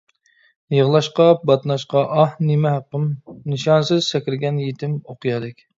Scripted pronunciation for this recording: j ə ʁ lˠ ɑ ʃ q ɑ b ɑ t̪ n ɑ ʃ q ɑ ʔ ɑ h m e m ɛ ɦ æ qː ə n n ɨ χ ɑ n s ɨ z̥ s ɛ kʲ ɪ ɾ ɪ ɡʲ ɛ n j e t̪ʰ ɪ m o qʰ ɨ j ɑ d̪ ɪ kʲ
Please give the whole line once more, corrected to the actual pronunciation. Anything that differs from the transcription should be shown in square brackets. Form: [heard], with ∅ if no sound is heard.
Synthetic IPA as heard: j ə ʁ lˠ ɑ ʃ q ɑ b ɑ t̪ n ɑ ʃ q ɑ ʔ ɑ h [n] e m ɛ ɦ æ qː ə [m] n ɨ [ʃ] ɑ n s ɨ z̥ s ɛ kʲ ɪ ɾ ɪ ɡʲ ɛ n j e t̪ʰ ɪ m o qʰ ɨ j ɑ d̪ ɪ kʲ